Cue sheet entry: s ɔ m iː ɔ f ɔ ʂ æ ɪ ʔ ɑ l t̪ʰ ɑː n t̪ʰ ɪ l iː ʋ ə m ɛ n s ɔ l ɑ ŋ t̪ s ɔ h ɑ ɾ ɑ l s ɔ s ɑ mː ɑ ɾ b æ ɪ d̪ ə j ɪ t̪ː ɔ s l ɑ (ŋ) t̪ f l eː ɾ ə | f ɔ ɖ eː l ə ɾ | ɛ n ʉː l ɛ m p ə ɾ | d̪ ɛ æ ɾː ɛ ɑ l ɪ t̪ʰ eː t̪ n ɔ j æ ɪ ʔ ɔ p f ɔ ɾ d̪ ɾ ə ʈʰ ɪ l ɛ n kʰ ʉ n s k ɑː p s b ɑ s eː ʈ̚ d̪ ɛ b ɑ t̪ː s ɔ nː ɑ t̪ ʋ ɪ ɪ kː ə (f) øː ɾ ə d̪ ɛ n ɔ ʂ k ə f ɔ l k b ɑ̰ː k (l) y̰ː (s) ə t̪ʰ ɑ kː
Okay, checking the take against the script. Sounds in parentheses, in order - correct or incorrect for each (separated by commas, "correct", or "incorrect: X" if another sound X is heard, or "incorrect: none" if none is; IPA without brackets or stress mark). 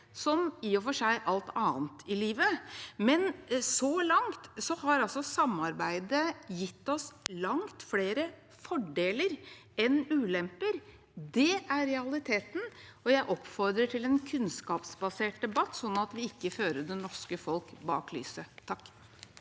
correct, correct, correct, correct